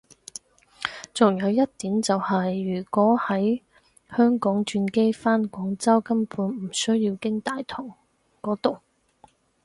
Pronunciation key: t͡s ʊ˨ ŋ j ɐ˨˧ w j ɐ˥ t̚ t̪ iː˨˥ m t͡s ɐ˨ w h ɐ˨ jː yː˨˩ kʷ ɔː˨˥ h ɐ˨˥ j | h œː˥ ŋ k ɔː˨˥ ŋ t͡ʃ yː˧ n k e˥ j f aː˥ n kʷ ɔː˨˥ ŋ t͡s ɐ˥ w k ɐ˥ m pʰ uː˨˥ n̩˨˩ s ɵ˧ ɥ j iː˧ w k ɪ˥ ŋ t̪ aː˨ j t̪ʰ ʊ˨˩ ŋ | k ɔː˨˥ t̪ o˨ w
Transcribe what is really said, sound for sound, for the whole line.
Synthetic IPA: t͡s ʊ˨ ŋ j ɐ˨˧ w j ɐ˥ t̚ t̪ iː˨˥ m t͡s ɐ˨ w h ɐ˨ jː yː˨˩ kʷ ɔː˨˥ h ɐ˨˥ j | h œː˥ ŋ k ɔː˨˥ ŋ t͡ʃ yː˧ n k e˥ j f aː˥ n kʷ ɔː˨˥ ŋ t͡s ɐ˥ w k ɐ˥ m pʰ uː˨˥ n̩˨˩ s ɵ˥ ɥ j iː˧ w k ɪ˥ ŋ t̪ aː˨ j t̪ʰ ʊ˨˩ ŋ | k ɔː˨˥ t̪ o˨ w